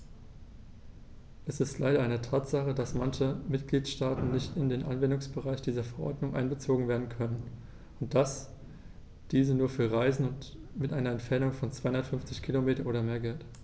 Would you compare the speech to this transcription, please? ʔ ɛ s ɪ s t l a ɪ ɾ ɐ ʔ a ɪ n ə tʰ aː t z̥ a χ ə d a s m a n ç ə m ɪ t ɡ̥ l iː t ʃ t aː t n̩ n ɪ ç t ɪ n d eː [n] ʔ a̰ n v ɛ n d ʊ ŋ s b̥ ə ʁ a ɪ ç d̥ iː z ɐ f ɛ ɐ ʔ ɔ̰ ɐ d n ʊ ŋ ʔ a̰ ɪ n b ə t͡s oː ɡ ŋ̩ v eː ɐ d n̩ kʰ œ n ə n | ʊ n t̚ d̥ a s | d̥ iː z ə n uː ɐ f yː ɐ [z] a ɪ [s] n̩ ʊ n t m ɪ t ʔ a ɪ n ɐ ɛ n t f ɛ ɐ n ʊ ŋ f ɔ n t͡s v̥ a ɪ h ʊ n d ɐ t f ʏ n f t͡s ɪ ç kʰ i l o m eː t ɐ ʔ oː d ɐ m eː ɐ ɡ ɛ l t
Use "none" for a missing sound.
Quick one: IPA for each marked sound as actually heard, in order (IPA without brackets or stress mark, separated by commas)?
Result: n, ʁ, z